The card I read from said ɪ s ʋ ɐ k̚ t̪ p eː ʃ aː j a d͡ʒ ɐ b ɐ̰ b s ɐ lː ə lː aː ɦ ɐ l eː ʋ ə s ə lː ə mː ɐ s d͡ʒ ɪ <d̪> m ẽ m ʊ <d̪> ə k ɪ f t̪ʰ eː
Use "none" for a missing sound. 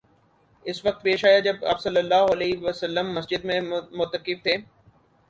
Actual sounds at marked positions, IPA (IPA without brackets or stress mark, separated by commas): d̪, t̪